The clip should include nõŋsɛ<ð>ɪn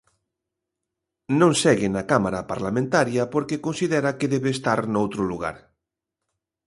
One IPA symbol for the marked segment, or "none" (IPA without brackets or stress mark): ɣ